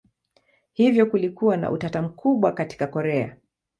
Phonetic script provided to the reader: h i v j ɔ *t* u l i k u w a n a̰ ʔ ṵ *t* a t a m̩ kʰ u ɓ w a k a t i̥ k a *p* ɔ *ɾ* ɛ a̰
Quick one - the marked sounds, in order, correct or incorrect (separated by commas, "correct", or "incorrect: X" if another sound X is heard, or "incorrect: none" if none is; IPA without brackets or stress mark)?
incorrect: k, correct, incorrect: k, correct